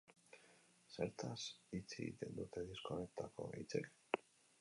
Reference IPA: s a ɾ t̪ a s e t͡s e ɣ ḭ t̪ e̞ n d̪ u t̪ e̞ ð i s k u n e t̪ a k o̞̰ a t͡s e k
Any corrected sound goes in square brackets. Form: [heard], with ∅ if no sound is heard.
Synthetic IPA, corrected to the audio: s [e] ɾ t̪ a s [i] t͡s e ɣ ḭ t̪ e̞ n d̪ u t̪ e̞ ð i s k [o] n e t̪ a k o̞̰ [i] t͡s e k